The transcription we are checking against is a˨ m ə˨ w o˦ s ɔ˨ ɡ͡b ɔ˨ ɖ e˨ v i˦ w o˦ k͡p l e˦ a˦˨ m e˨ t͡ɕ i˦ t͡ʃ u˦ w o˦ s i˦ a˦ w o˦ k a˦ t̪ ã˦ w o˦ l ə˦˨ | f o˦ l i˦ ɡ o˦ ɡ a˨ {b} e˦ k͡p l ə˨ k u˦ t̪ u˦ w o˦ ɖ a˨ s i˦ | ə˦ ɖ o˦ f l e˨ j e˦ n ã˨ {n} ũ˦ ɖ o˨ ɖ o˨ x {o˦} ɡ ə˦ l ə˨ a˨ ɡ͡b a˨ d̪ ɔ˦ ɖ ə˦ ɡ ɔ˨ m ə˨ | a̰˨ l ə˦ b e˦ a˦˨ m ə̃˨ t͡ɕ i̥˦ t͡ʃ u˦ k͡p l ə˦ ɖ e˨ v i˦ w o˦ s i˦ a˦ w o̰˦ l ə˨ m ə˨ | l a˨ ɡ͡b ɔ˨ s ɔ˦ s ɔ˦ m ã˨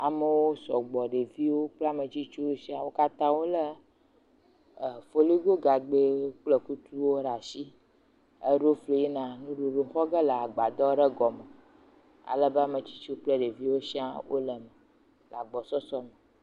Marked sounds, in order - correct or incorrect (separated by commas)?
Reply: incorrect, correct, incorrect